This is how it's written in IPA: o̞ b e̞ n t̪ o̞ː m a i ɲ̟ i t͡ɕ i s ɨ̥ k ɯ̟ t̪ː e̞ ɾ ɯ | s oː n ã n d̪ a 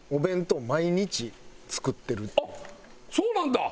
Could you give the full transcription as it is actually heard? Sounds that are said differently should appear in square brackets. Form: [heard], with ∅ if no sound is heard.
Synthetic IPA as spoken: o̞ b [ẽ̞] n t̪ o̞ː m a i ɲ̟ i t͡ɕ i [t͡s] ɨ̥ k ɯ̟ t̪ː e̞ ɾ ɯ | s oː n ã n d̪ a